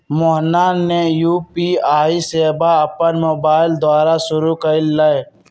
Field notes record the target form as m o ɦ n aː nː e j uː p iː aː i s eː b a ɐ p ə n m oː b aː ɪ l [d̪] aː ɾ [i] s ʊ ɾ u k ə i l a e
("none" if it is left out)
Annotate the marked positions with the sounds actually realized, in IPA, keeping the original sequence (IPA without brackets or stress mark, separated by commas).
d̪, a